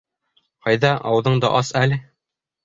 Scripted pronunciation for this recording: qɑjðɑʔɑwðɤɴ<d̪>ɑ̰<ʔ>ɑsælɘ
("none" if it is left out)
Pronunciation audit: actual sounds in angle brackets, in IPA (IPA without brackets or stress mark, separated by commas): d̪, ʔ